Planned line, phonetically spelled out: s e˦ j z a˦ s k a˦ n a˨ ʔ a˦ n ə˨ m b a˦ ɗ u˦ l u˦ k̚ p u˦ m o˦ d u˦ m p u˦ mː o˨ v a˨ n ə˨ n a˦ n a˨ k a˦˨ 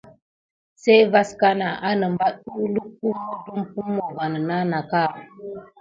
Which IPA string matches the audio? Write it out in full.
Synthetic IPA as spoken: s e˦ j v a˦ s k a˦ n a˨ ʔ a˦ n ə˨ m b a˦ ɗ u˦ l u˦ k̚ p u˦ m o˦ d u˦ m p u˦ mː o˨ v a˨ n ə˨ n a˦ n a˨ k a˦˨